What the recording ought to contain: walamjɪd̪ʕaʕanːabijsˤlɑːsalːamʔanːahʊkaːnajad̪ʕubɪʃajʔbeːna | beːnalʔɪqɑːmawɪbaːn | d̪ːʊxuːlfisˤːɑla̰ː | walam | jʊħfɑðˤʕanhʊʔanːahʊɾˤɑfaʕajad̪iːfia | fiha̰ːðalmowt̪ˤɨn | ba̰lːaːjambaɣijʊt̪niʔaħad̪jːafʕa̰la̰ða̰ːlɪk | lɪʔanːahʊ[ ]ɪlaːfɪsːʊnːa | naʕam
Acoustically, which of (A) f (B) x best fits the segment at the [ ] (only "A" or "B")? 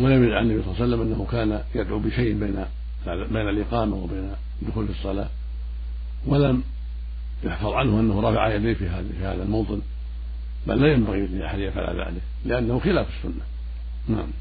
B